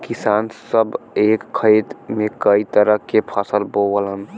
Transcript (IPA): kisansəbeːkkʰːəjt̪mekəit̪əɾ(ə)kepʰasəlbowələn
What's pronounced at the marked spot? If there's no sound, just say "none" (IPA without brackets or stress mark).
ə